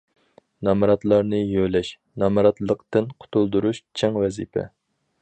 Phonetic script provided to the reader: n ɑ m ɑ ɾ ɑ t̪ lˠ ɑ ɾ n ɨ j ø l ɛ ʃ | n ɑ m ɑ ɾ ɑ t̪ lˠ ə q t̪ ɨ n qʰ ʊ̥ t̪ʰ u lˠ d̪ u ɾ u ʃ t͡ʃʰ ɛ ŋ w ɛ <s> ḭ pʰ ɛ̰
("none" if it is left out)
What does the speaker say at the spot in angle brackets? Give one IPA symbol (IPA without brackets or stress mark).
z